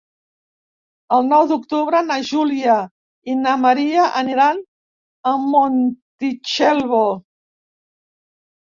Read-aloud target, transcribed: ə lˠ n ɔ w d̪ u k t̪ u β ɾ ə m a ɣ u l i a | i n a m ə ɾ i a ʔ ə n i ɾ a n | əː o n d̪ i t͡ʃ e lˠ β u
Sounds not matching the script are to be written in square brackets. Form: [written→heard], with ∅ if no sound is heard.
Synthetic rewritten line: ə lˠ n ɔ w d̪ u k t̪ u β ɾ ə [m→n] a [ɣ→ʒ] u l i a | i n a m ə ɾ i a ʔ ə n i ɾ a n | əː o n [d̪→t̪] i t͡ʃ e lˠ β [u→o]